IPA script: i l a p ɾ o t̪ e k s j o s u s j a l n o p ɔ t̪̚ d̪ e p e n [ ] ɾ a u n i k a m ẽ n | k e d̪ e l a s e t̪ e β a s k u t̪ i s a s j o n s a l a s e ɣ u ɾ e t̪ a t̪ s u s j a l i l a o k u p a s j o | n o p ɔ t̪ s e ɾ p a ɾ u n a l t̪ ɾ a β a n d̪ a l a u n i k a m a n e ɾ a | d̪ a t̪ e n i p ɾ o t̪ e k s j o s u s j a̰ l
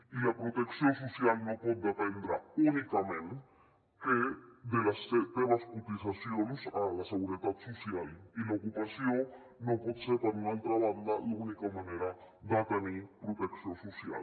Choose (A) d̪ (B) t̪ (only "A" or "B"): A